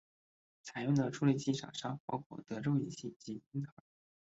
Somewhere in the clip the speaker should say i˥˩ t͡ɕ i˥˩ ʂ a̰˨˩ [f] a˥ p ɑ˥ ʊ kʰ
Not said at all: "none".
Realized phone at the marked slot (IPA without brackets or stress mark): ʂ